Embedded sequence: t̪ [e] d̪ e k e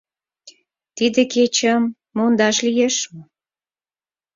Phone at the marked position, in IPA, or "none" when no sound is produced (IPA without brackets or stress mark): i